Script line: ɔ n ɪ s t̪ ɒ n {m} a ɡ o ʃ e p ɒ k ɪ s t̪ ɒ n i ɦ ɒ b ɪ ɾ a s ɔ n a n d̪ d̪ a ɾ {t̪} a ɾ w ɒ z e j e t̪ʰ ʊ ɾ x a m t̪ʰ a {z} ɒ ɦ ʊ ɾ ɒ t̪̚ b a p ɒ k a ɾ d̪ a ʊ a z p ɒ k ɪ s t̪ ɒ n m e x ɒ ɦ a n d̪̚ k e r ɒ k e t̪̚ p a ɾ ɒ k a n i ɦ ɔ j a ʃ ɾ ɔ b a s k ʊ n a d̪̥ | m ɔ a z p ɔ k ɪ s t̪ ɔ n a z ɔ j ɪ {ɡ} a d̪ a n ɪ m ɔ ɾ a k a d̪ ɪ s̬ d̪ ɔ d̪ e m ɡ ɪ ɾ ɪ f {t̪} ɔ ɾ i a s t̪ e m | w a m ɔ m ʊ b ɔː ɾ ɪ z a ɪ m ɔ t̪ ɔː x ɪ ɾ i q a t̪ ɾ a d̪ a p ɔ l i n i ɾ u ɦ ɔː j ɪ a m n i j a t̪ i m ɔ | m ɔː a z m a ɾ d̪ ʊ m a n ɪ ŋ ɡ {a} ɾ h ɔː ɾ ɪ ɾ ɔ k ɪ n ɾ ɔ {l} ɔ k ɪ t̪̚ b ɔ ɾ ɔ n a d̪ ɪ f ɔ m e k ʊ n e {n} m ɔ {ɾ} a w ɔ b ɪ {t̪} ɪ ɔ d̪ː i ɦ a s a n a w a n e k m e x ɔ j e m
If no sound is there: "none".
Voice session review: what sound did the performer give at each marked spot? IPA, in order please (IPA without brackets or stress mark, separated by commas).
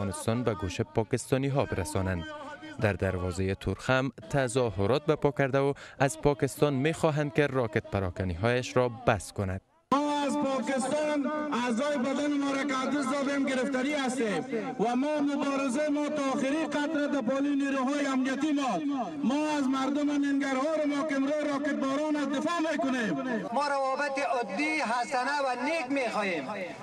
b, d̪, z, b, t̪, a, ɾ, m, ɾ, t̪